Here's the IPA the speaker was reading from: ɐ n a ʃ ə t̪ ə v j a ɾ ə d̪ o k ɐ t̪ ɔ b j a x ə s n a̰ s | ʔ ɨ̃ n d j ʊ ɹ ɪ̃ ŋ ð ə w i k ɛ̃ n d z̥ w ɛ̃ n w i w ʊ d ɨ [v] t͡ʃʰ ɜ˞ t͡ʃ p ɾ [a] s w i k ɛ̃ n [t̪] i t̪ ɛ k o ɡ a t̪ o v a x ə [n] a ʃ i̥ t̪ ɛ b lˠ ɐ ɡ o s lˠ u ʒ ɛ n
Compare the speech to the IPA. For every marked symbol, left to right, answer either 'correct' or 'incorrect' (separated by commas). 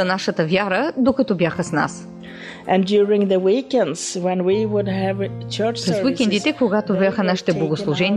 correct, incorrect, incorrect, correct